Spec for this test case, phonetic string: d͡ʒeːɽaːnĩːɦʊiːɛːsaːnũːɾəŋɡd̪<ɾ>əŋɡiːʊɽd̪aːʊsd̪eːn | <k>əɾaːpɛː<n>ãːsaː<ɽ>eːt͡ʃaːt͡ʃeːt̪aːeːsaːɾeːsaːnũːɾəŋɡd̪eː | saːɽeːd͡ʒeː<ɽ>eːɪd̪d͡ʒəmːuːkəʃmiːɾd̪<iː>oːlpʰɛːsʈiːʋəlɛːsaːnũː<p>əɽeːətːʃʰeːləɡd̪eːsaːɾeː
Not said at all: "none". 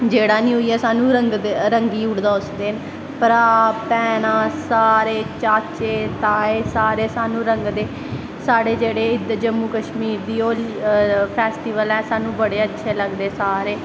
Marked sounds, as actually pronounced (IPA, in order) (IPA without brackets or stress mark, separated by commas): ɾ, p, n, ɾ, ɽ, iː, b